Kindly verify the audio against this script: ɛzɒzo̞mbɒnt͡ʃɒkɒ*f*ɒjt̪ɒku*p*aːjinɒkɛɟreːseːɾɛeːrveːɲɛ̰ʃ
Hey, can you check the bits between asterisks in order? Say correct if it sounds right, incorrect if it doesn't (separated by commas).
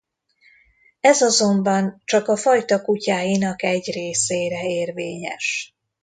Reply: correct, incorrect